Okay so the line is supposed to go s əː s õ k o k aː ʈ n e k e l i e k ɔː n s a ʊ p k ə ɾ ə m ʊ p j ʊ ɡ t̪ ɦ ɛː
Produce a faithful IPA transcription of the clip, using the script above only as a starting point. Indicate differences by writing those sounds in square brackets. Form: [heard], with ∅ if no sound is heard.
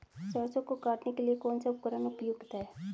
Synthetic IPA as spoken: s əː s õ k o k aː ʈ n e k e l i e k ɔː n s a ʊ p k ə ɾ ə [n] ʊ p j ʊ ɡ t̪ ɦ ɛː